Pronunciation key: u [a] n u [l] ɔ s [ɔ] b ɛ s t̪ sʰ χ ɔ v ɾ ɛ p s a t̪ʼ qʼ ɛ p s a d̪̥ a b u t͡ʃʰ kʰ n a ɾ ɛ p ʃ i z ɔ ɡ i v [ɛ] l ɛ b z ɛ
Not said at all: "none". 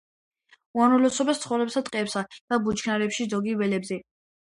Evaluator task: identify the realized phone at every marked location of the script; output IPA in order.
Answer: a, l, ɔ, ɛ

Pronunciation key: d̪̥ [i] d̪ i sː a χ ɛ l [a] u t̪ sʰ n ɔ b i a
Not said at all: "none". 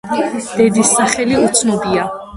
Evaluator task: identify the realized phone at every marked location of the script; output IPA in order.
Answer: ɛ, i

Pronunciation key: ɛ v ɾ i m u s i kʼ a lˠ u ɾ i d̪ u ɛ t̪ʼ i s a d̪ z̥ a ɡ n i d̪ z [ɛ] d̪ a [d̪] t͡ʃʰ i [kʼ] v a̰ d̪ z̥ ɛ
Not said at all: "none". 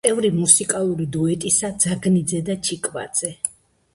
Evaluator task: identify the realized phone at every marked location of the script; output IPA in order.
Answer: ɛ, none, kʼ

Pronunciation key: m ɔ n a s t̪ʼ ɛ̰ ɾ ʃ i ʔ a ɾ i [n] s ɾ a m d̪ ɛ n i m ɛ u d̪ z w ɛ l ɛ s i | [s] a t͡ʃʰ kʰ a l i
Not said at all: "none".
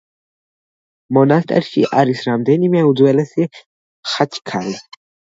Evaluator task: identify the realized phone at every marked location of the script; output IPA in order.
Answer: none, χ

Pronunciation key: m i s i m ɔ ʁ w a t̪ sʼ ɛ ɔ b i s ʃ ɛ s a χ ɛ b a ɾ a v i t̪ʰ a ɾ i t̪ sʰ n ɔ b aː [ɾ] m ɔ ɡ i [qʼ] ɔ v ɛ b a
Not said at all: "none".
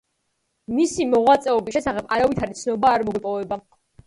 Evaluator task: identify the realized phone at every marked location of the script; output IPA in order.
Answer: ɾ, pʼ

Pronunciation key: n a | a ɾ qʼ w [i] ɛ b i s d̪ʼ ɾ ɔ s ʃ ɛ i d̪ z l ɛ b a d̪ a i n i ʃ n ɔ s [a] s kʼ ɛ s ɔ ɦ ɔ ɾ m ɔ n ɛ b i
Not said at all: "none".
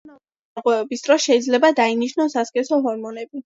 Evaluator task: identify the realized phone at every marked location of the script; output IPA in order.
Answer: ɛ, a

